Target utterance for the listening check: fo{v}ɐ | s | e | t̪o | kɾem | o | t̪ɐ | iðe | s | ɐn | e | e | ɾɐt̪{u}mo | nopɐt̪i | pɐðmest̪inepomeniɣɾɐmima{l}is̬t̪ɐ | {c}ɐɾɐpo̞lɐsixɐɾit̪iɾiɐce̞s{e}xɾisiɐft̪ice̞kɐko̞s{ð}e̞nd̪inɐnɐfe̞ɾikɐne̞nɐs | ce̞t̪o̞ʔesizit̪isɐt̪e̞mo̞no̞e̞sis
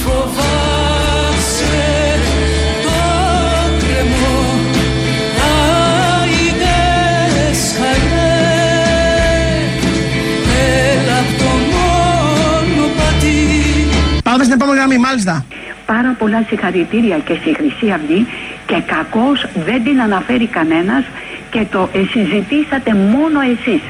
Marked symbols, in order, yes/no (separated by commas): yes, no, yes, no, no, yes